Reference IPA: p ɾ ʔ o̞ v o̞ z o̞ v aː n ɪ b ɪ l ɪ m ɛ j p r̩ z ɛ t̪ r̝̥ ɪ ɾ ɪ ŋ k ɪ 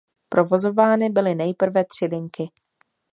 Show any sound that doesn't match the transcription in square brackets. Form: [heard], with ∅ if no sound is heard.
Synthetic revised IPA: p ɾ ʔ o̞ v o̞ z o̞ v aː n ɪ b ɪ l ɪ [n] ɛ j p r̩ [v] ɛ t̪ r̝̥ ɪ [l] ɪ ŋ k ɪ

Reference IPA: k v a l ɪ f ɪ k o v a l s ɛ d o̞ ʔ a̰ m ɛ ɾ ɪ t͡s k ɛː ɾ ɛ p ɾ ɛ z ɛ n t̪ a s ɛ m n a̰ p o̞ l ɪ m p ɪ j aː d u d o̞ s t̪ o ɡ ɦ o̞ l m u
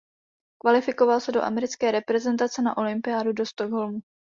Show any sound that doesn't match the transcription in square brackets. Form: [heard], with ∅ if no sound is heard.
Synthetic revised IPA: k v a l ɪ f ɪ k o v a l s ɛ d o̞ ʔ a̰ m ɛ ɾ ɪ t͡s k ɛː ɾ ɛ p ɾ ɛ z ɛ n t̪ a [t͡s] ɛ [∅] n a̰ [ʔ] o̞ l ɪ m p ɪ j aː d u d o̞ s t̪ o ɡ ɦ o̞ l m u

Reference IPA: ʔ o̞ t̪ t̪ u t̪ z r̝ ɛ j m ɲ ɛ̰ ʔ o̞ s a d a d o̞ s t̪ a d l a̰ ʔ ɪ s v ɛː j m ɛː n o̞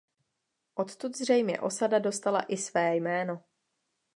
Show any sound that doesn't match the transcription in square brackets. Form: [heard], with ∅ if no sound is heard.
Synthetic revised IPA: ʔ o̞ t̪ t̪ u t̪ z r̝ ɛ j m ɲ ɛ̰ ʔ o̞ s a d a d o̞ s t̪ a [∅] l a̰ ʔ ɪ s v ɛː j m ɛː n o̞

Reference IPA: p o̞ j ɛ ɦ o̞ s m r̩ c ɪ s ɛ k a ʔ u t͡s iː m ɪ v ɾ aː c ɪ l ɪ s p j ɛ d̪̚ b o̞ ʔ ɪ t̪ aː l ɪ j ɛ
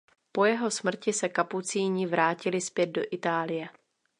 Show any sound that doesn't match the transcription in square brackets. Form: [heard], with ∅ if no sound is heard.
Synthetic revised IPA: p o̞ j ɛ ɦ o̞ s m r̩ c ɪ s ɛ k a [p] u t͡s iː [ɲ] ɪ v ɾ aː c ɪ l ɪ s p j ɛ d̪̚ [d] o̞ ʔ ɪ t̪ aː l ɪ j ɛ

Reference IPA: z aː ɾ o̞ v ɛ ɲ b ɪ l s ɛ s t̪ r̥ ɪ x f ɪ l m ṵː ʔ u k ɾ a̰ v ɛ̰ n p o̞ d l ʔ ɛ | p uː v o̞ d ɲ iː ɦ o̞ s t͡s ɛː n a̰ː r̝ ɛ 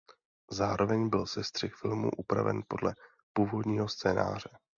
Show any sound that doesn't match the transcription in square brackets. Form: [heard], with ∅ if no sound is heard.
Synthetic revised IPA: z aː ɾ o̞ v ɛ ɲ b ɪ l s ɛ s t̪ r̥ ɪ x f ɪ l m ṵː ʔ u [p] ɾ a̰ v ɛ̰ n p o̞ d l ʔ ɛ | p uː v o̞ d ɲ iː ɦ o̞ s t͡s ɛː n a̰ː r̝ ɛ

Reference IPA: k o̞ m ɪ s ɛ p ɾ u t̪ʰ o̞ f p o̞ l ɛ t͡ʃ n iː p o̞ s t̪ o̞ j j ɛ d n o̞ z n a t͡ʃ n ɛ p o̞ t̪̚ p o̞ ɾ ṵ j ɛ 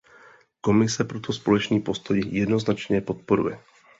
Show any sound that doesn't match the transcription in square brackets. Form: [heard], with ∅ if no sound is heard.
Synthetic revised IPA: k o̞ m ɪ s ɛ p ɾ [o] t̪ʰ o̞ [s] p o̞ l ɛ t͡ʃ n iː p o̞ s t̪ o̞ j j ɛ d n o̞ z n a t͡ʃ [ɲ] ɛ p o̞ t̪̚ p o̞ ɾ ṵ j ɛ

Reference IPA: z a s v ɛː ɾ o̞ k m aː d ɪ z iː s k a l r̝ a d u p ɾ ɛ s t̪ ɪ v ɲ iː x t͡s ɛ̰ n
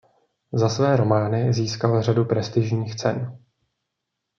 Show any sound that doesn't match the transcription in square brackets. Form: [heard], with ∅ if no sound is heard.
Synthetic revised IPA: z a s v ɛː ɾ o̞ [∅] m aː [n] ɪ z iː s k a l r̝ a d u p ɾ ɛ s t̪ ɪ [ʒ] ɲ iː x t͡s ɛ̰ n

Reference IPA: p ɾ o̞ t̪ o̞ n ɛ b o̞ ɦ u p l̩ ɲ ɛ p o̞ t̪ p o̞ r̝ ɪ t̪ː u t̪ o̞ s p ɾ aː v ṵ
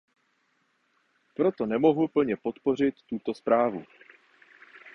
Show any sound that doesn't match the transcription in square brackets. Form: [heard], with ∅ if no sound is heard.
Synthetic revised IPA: p ɾ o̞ t̪ o̞ n ɛ [m] o̞ ɦ u p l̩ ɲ ɛ p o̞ t̪ p o̞ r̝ ɪ t̪ː u t̪ o̞ s p ɾ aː v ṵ

